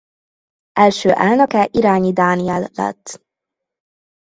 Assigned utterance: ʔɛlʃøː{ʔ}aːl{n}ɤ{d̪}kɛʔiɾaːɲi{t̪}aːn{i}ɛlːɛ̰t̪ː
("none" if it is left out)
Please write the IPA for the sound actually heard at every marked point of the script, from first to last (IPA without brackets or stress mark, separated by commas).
ʔ, n, none, d̪, i